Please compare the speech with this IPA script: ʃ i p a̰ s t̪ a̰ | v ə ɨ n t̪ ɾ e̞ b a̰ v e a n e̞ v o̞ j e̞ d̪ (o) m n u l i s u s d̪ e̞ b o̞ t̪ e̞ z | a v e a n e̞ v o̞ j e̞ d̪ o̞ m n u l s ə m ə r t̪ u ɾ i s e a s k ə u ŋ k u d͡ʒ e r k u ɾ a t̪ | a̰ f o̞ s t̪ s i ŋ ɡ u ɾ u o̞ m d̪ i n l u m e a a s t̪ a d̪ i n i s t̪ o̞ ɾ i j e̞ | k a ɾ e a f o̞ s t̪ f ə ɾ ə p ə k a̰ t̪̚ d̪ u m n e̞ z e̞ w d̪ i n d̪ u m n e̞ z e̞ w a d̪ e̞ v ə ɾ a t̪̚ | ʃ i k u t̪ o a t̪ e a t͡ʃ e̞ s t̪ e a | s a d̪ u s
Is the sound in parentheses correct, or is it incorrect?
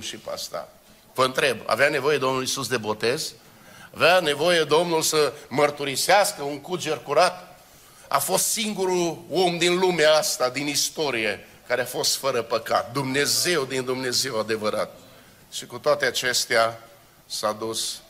correct